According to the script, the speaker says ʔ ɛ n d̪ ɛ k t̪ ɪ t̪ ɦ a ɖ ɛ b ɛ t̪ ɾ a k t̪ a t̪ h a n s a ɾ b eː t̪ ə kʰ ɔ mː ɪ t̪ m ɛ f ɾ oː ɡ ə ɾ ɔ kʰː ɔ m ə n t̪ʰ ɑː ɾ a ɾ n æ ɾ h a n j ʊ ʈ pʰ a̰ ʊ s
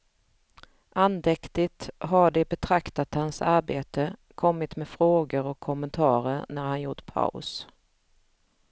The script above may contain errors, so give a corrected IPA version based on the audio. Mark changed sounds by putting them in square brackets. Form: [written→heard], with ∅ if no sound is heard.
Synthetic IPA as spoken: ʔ [ɛ→a] n d̪ ɛ k t̪ ɪ t̪ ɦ a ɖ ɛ b ɛ [t̪→t̪ʰ] ɾ a k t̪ a t̪ h a n s a ɾ b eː t̪ ə kʰ ɔ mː ɪ t̪ m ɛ f ɾ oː ɡ ə ɾ ɔ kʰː ɔ m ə n t̪ʰ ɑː ɾ [a→ə] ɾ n æ ɾ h a n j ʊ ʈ pʰ a̰ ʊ s